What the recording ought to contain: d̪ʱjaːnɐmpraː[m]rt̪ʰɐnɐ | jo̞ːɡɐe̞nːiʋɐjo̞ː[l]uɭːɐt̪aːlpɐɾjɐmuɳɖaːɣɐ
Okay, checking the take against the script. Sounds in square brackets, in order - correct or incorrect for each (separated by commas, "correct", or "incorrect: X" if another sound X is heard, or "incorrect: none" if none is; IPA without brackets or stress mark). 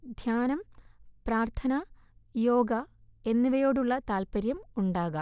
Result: incorrect: none, incorrect: ɽ